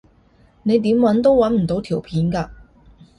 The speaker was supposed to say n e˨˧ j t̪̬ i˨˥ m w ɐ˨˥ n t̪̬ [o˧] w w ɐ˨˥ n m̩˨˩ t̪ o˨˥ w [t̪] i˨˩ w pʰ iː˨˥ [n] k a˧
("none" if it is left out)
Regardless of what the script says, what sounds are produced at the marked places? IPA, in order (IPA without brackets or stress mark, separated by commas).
o˥, t̪ʰ, n